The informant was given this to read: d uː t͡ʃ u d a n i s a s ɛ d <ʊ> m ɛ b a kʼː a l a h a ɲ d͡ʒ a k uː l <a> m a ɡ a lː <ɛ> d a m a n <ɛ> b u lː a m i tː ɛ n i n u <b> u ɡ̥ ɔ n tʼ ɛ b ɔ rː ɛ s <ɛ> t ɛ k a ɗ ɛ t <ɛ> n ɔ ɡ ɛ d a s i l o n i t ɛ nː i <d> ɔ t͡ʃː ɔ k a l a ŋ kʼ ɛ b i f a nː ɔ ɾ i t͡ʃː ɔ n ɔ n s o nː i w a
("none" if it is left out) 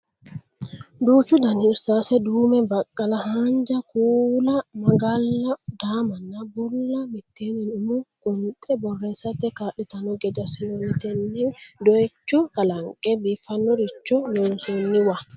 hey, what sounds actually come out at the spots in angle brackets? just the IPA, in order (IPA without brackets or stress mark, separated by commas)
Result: u, a, a, a, m, a, a, d